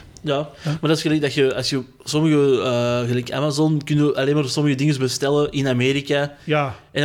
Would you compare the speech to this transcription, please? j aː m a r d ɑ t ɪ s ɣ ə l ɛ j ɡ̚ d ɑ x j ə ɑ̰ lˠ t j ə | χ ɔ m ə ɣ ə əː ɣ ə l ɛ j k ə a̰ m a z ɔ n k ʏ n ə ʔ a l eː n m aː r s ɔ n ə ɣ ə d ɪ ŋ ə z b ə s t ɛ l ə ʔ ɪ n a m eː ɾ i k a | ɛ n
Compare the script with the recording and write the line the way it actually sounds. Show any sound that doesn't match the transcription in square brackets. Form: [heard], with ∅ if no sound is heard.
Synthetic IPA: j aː m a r d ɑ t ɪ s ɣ ə l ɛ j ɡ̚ d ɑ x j ə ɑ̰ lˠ [s] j ə | [s] ɔ m ə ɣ ə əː ɣ ə l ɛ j k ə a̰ m a z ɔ n k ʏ n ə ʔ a l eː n m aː r s ɔ [m] ə ɣ ə d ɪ ŋ ə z b ə s t ɛ l ə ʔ ɪ n a m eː ɾ i k a | ɛ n